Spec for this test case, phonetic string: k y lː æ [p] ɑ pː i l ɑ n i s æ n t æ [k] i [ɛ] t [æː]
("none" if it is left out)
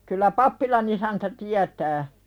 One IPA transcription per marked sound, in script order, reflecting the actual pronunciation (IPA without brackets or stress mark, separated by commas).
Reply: p, t, æ, æː